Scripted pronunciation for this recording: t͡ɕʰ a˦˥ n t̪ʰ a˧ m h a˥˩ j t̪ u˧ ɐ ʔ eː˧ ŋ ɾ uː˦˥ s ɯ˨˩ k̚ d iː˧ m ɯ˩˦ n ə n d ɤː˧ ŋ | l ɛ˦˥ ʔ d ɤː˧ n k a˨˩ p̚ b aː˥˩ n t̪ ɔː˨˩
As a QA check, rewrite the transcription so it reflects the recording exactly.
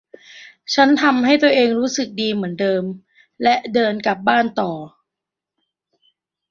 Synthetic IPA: t͡ɕʰ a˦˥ n t̪ʰ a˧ m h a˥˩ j t̪ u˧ ɐ ʔ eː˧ ŋ ɾ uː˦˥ s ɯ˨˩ k̚ d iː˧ m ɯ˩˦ ə n d ɤː˧ m | l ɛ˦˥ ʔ d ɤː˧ n k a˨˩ p̚ b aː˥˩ n t̪ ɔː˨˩